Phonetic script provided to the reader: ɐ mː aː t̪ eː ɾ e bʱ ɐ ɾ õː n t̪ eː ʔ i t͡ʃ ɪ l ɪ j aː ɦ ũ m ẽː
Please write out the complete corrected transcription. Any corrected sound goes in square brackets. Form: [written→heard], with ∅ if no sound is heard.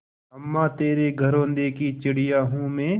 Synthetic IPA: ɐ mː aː t̪ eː ɾ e [bʱ→ɡʱ] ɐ ɾ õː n [t̪→d̪] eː [ʔ→k] i t͡ʃ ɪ [l→ɽ] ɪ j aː ɦ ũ m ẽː